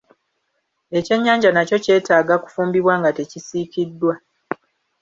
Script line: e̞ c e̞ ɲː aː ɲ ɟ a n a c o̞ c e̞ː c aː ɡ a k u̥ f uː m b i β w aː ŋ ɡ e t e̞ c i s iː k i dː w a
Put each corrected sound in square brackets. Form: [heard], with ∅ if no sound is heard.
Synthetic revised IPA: e̞ c e̞ ɲː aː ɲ ɟ a n a c o̞ c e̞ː [t] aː ɡ a k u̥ f uː m b i β w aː ŋ ɡ [a] t e̞ c i s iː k i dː w a